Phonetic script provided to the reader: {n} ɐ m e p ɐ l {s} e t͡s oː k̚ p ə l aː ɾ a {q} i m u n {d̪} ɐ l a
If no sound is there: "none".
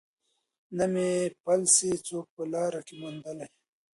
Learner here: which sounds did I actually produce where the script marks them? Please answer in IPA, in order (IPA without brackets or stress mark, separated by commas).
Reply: n, s, k, d̪